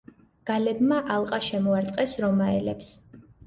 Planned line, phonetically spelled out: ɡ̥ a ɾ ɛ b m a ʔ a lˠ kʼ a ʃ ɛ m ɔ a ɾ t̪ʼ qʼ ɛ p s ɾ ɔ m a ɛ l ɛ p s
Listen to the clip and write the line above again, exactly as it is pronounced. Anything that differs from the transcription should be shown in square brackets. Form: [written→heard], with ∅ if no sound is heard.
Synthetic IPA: ɡ̥ a [ɾ→l] ɛ b m a ʔ a lˠ [kʼ→qʼ] a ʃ ɛ m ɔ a ɾ t̪ʼ qʼ ɛ [p→∅] s ɾ ɔ m a ɛ l ɛ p s